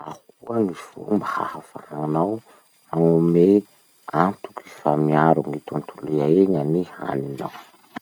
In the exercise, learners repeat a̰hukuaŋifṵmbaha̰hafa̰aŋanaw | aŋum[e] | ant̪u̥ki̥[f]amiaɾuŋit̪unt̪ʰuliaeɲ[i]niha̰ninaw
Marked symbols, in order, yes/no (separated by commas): yes, yes, no